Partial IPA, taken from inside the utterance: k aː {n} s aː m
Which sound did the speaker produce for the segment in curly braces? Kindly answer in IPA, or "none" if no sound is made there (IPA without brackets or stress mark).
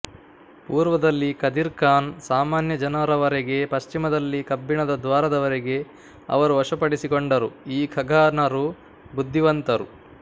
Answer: n